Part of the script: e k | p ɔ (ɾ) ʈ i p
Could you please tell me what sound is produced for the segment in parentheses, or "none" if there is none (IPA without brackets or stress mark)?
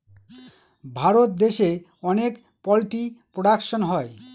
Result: l